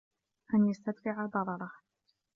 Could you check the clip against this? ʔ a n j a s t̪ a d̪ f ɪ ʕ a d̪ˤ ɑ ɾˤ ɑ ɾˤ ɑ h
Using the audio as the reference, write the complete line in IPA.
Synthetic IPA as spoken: ʔ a n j a s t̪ a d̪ f ɪ ʕ a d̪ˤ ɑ ɾˤ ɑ ɾˤ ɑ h

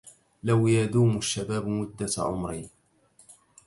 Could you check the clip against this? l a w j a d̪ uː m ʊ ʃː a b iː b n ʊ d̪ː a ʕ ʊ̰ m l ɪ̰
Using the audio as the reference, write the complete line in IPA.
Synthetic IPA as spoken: l a w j a d̪ uː m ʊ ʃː a b aː b m ʊ d̪ː a ʕ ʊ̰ m ɾ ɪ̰

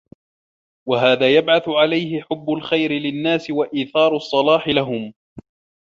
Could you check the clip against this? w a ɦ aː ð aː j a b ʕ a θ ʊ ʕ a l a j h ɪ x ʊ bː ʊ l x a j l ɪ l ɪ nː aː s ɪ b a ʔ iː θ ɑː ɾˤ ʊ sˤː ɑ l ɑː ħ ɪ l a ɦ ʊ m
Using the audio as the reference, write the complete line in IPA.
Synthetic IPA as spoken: w a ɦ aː ð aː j a b ʕ a θ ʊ ʕ a l a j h ɪ ħ ʊ bː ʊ l x a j ɾ ɪ l ɪ nː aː s ɪ w a ʔ iː θ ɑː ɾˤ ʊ sˤː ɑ l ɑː ħ ɪ l a ɦ ʊ m

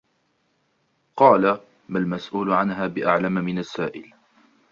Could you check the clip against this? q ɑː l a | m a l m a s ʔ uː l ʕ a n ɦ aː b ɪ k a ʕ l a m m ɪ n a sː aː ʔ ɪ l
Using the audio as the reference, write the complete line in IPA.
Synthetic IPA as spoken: q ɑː l a | m a l m a s ʔ uː l ʕ a n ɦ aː b ɪ ʔ a ʕ l a m m ɪ n a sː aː ʔ ɪ l

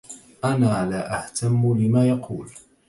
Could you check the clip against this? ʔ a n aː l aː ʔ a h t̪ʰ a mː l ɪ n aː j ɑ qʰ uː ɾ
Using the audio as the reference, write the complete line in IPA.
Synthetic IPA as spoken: ʔ a n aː l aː ʔ a h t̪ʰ a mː l ɪ m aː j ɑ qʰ uː l

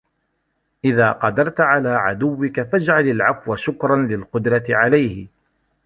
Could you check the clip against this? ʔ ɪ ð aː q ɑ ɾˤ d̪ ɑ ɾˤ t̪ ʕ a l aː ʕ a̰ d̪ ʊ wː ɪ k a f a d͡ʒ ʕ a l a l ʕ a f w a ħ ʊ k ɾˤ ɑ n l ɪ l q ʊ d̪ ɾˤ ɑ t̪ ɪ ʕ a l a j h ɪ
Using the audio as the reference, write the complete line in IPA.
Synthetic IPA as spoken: ʔ ɪ ð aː q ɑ d̪ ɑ ɾˤ t̪ ʕ a l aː ʕ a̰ d̪ ʊ wː ɪ k a f a d͡ʒ ʕ a l a l ʕ a f w a ʃ ʊ k ɾˤ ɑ n l ɪ l q ʊ d̪ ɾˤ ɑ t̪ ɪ ʕ a l a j h ɪ

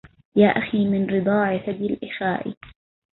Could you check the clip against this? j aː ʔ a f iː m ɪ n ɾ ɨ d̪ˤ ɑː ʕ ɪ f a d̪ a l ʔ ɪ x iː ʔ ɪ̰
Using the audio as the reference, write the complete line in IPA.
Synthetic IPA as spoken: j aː ʔ a x iː m ɪ n ɾ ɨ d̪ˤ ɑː ʕ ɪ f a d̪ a l ʔ ɪ x aː ʔ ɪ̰

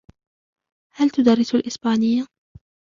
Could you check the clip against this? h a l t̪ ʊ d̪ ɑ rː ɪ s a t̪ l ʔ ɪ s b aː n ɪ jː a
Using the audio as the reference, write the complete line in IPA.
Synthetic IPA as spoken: h a l t̪ ʊ d̪ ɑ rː ɪ s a l ʔ ɪ s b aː n ɪ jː a

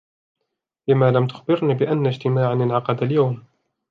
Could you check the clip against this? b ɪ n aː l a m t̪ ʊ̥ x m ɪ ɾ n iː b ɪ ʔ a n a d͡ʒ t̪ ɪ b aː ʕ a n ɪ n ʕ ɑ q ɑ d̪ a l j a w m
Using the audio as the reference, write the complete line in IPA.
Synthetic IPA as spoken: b ɪ m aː l a m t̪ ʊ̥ x b ɪ ɾ n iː b ɪ ʔ a nː a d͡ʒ t̪ ɪ m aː ʕ a n ɪ n ʕ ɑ q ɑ d̪ a l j a w m

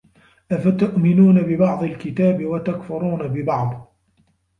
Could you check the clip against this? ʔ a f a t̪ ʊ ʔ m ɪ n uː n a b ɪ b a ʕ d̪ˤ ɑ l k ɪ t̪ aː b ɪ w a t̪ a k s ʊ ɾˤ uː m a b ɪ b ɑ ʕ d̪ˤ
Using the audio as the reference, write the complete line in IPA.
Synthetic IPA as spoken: ʔ a f a t̪ ʊ ʔ m ɪ n uː n a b ɪ b ɑ ʕ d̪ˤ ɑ l k ɪ t̪ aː b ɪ w a t̪ a k f ʊ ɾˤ uː n a b ɪ b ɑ ʕ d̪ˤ

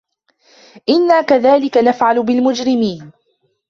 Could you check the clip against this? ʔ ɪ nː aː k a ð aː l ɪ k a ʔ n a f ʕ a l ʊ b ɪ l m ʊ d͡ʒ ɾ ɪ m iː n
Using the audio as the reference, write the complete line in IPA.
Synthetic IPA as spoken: ʔ ɪ nː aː k a ð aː l ɪ k a n a f ʕ a l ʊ b ɪ l m ʊ d͡ʒ ɾ ɪ m iː n

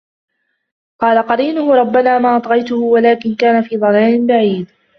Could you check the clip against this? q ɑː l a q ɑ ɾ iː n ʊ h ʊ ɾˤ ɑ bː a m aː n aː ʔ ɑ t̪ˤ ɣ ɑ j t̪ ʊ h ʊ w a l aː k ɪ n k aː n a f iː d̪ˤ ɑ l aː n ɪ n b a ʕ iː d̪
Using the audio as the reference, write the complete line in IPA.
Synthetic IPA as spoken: q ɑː l a q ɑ ɾ iː n ʊ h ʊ ɾˤ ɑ bː a n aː m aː ʔ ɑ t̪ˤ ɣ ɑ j t̪ ʊ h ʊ w a l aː k ɪ n k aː n a f iː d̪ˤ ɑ l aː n ɪ n b a ʕ iː d̪

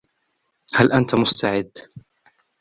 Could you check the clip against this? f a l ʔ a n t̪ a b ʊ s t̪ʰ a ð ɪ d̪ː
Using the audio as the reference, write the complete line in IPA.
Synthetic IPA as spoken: h a l ʔ a n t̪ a m ʊ s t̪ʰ a ʕ ɪ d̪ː

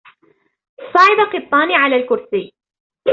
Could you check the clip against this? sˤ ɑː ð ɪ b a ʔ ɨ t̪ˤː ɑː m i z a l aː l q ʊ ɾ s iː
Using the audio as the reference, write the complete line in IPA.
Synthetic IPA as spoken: sˤ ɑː ʕ ɪ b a q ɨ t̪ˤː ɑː n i ʕ a l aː l k ʊ ɾ s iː

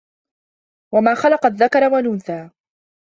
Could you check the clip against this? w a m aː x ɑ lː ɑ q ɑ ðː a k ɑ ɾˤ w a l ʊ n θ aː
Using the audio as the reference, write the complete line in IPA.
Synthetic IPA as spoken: w a m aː x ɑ l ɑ q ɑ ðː a k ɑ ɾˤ w a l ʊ n θ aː

